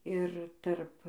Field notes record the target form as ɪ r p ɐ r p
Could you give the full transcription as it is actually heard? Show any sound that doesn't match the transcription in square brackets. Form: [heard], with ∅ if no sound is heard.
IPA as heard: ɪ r [t] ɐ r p